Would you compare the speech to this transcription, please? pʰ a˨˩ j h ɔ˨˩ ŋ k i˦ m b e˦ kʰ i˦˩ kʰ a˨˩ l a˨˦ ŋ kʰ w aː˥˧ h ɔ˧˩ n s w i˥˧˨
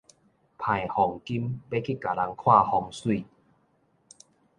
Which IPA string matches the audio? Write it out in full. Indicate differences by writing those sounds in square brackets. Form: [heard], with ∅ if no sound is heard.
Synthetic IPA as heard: pʰ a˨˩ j h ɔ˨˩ ŋ k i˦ m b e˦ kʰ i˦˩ [k] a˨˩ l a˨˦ ŋ kʰ w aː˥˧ h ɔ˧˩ [ŋ] s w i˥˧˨

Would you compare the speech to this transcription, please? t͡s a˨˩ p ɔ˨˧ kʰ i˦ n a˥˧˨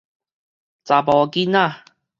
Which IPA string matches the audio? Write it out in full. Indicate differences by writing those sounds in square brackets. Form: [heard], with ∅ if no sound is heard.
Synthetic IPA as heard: t͡s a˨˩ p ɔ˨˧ [k] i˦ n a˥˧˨

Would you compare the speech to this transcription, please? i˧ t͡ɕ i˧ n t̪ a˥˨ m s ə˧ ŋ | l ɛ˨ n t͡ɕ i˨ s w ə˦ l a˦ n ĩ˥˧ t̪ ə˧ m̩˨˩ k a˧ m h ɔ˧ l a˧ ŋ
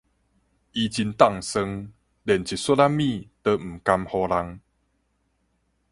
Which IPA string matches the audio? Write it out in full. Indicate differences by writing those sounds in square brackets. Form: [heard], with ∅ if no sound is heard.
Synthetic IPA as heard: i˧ t͡ɕ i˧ n t̪ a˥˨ [ŋ] s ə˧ ŋ | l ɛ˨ n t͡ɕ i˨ s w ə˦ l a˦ [m] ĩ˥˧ t̪ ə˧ m̩˨˩ k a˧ m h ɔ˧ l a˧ ŋ

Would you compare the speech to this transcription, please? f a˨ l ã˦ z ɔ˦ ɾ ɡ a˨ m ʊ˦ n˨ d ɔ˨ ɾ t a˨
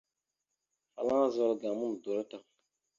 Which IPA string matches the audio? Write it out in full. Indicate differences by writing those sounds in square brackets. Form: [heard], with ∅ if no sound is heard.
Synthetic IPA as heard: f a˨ l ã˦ z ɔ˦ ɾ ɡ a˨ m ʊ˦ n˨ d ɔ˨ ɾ t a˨

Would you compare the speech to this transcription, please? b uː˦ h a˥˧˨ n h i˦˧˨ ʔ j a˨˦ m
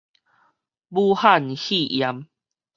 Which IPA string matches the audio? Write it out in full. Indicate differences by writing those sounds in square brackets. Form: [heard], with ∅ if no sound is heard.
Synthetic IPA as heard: b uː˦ h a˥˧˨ n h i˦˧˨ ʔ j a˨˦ m

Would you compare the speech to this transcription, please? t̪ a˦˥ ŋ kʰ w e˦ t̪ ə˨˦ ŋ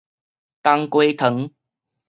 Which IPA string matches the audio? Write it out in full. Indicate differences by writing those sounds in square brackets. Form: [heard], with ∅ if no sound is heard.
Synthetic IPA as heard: t̪ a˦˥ ŋ [k] w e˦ [t̪ʰ] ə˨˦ ŋ

